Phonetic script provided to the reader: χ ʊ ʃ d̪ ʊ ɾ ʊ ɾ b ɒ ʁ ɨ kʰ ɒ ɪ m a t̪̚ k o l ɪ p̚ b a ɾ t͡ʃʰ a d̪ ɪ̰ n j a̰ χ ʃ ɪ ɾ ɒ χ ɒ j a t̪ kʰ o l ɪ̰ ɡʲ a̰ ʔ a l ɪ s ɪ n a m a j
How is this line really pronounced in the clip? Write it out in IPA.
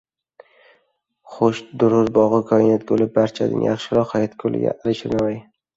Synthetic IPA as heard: χ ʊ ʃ d̪ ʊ ɾ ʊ ɾ b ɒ ʁ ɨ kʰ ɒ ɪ n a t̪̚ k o l ɪ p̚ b a ɾ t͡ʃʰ a d̪ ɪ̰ n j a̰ χ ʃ ɪ ɾ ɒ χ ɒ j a t̪ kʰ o l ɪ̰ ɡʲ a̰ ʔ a l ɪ ʃ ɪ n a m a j